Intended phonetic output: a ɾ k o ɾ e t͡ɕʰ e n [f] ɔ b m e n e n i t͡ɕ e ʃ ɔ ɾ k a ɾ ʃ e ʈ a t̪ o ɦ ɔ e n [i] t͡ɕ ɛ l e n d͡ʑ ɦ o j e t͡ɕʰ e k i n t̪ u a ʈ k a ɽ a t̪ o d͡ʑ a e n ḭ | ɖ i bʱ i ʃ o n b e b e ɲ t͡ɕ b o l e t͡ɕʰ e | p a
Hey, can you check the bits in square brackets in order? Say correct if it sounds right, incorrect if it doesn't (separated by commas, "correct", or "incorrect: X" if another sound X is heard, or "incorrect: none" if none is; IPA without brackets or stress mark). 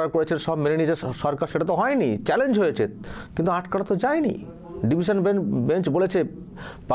incorrect: ʃ, correct